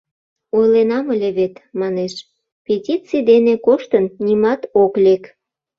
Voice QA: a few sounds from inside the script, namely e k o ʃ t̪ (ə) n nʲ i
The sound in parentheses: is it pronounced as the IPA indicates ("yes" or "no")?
yes